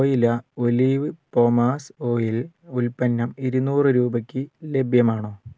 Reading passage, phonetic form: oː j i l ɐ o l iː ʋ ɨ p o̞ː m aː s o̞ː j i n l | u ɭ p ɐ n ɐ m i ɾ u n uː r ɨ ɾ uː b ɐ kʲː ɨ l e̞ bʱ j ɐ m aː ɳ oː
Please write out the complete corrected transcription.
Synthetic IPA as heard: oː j i l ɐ o l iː ʋ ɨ p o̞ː m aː s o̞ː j i l | u l p ɐ nː ɐ m i ɾ u n uː r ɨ ɾ uː b ɐ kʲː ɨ l e̞ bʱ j ɐ m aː ɳ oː